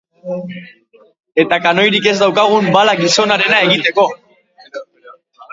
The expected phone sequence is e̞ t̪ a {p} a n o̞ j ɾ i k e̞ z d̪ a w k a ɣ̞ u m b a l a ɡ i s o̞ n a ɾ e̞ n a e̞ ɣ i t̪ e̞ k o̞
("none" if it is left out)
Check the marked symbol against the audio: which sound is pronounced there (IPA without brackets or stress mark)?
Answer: k